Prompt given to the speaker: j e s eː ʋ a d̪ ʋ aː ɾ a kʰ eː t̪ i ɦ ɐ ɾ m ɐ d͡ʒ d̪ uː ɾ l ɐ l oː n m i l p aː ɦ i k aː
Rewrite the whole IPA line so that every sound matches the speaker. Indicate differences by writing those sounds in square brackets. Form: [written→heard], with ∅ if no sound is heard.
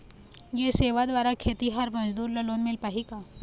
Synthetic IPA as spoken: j e s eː ʋ a d̪ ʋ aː ɾ a kʰ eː t̪ i ɦ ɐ ɾ m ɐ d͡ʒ d̪ uː ɾ l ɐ l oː n m [i→ɪ] l p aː ɦ i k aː

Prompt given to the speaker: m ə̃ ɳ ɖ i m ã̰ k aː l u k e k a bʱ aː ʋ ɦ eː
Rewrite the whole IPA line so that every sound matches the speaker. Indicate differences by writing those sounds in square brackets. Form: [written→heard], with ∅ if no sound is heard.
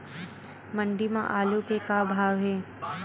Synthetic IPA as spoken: m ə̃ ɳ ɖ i m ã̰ [k→ʔ] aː l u k e k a bʱ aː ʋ ɦ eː

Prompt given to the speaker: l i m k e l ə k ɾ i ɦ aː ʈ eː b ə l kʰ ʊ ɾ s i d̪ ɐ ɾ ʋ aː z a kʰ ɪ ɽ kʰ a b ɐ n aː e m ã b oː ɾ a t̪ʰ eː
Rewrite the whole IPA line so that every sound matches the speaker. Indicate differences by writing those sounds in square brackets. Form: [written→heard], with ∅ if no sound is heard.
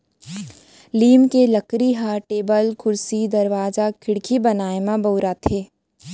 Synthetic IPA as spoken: l [i→iː] m k e l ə k ɾ i ɦ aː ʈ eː b ə l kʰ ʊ ɾ s i d̪ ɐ ɾ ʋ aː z a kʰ ɪ ɽ kʰ [a→i] b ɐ n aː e m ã b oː ɾ a t̪ʰ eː

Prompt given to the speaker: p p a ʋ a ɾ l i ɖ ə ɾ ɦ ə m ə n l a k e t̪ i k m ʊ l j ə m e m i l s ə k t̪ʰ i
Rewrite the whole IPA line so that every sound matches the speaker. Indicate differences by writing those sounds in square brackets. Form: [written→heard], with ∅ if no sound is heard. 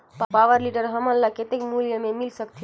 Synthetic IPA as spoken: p p a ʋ [a→ə] ɾ l i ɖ ə ɾ ɦ ə m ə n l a k e t̪ [i→e] k m [ʊ→u] l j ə m e m i l s ə k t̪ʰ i

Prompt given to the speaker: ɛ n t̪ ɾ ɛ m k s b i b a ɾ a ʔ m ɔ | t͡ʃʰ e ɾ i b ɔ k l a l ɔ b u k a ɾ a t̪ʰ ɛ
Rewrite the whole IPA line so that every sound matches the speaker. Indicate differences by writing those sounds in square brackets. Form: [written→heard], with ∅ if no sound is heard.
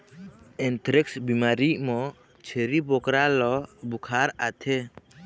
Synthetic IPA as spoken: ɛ n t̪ ɾ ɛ [m→∅] k s b i [b→m] a ɾ [a→i] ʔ m ɔ | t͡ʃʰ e ɾ i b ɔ k [l→ɾ] a l ɔ b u [k→kʰ] a ɾ a t̪ʰ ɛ

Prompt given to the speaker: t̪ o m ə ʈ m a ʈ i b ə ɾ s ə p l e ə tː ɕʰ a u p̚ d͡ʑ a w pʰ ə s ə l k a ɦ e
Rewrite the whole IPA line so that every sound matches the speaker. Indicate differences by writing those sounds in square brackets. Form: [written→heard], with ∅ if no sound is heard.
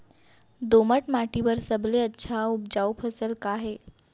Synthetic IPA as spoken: [t̪→d̪] o m ə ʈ m a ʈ i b ə ɾ s ə [p→b] l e ə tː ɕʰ a u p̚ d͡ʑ a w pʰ ə s ə l k a ɦ e

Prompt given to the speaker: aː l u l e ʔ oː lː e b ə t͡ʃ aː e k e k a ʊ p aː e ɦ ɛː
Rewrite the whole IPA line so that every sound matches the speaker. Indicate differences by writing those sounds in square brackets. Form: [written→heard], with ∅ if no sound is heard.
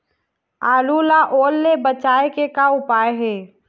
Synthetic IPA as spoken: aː l u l [e→a] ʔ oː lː e b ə t͡ʃ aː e k e k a ʊ p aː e ɦ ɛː

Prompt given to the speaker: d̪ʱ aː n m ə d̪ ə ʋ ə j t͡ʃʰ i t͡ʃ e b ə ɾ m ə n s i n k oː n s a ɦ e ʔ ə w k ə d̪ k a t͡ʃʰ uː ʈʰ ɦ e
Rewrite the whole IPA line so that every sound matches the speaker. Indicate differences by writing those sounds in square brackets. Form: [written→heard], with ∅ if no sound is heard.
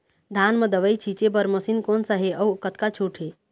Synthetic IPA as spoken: d̪ʱ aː n m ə d̪ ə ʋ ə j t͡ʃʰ i t͡ʃ e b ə ɾ m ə [n→∅] s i n k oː n s a ɦ e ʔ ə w k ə [d̪→t̪] k a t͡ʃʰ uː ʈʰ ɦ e

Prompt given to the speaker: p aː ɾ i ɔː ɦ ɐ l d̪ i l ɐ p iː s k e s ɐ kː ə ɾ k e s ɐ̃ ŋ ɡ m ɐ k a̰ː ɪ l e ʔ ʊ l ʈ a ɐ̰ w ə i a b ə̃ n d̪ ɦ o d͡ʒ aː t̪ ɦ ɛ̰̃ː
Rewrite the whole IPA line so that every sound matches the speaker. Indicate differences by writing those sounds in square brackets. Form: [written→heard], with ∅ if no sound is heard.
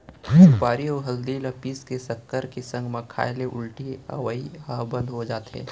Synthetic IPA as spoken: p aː ɾ i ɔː ɦ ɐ l d̪ i l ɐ p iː s k e s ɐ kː ə ɾ k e s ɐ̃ ŋ ɡ m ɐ [k→kʰ] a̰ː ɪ l e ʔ ʊ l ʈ [a→i] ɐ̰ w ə i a b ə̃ n d̪ ɦ o d͡ʒ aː t̪ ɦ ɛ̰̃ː

